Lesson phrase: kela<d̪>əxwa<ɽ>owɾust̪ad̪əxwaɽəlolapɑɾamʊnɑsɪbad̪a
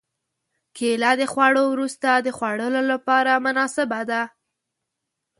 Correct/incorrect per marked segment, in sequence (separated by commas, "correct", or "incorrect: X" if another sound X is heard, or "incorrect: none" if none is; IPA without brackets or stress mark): correct, correct